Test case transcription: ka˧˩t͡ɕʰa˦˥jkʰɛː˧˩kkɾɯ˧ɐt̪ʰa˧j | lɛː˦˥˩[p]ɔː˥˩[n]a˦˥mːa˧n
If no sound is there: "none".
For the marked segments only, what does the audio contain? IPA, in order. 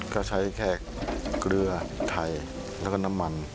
k, n

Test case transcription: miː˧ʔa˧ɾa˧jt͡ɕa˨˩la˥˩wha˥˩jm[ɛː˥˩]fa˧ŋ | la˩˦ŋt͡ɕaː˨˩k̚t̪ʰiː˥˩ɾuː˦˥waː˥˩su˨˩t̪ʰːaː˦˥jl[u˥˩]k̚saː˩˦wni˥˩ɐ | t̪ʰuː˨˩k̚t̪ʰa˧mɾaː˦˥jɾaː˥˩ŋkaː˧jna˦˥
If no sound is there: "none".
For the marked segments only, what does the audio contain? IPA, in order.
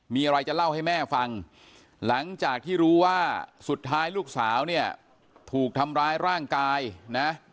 ɛː˥˩, uː˥˩

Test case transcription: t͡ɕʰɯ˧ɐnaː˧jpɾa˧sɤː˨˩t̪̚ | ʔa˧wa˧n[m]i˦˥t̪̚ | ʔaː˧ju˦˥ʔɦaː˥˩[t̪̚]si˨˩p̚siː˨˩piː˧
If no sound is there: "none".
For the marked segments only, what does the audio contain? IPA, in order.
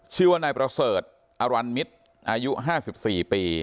m, none

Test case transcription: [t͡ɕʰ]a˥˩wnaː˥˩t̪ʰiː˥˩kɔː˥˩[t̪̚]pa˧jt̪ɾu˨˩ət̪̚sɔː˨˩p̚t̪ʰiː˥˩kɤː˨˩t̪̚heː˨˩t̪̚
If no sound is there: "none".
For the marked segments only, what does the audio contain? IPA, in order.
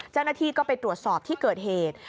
t͡ɕ, none

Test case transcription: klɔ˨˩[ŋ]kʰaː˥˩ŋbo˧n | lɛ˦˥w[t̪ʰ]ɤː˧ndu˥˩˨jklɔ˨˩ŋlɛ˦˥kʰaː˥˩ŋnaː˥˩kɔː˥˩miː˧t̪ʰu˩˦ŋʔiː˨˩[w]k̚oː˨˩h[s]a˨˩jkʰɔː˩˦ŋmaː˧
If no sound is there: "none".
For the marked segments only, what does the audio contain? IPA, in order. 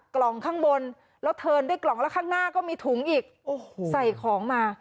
ŋ, t̪ʰ, none, s

